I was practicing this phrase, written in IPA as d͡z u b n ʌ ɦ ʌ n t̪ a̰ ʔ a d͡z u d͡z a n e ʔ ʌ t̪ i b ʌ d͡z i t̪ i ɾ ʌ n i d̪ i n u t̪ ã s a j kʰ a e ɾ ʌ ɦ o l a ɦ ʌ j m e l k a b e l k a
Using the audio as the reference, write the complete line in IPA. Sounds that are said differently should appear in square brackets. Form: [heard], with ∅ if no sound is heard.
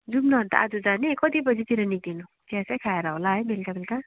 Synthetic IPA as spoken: d͡z u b n ʌ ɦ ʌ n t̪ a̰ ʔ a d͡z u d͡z a n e [k] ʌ t̪ i b ʌ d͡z i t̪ i ɾ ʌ n i d̪ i n u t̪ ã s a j kʰ a e ɾ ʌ ɦ o l a ɦ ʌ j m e l k a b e l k a

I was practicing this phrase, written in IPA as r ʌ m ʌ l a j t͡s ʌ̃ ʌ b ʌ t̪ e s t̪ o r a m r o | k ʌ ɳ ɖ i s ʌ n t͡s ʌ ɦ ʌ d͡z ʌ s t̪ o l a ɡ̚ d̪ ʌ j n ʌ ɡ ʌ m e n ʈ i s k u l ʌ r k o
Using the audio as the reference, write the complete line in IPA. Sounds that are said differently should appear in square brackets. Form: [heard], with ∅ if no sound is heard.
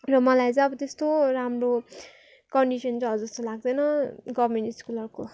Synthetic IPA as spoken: r ʌ m ʌ l a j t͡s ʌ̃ ʌ b ʌ t̪ e s t̪ o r a m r o | k ʌ ɳ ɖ i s ʌ n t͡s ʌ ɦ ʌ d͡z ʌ s t̪ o l a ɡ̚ d̪ ʌ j n ʌ ɡ ʌ m e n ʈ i s k u l ʌ r k o

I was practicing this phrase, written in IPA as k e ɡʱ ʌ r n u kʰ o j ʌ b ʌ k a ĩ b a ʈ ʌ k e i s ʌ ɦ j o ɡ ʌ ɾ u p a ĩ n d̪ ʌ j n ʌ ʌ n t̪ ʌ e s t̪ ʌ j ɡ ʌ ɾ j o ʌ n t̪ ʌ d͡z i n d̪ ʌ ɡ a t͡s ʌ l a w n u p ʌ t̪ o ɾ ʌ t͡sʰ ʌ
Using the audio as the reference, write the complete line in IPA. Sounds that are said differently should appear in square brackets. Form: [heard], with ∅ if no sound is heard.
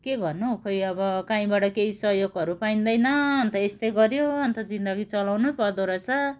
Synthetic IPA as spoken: k e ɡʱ ʌ r n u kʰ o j ʌ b ʌ k a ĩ b a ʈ ʌ k e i s ʌ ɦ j o ɡ ʌ ɾ u p a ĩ n d̪ ʌ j n ʌ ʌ n t̪ ʌ e s t̪ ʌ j ɡ ʌ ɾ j o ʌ n t̪ ʌ d͡z i n d̪ ʌ ɡ [i] t͡s ʌ l a w n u p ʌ [d̪] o ɾ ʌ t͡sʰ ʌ

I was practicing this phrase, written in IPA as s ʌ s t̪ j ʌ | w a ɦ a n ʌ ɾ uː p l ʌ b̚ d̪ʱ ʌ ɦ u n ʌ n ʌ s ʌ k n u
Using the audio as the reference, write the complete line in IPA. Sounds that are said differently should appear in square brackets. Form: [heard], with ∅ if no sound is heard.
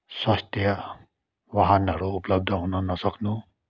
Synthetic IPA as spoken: s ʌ s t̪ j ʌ | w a ɦ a n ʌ ɾ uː p l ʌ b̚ d̪ʱ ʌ ɦ u n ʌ n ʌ s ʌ k n u

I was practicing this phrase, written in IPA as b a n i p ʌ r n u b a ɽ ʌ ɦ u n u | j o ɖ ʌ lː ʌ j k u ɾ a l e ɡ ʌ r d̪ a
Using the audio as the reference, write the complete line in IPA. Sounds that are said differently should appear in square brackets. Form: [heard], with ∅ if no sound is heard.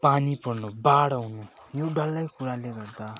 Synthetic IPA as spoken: [p] a n i p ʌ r n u b a ɽ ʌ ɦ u n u | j o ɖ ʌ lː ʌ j k u ɾ a l e ɡ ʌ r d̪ a

